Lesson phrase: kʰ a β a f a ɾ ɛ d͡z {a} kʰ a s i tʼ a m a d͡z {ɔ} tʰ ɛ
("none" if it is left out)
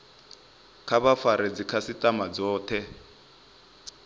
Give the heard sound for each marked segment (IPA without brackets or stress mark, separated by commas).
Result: i, ɔː